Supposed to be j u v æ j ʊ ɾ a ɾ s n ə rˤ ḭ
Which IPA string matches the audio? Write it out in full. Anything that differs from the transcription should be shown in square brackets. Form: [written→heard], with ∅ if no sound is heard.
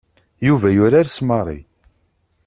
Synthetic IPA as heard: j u v æ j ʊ ɾ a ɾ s [n→m] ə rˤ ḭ